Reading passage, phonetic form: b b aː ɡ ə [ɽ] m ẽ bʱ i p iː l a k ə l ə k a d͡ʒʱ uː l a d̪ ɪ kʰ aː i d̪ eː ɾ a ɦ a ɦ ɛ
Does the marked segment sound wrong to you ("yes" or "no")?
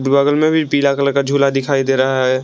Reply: yes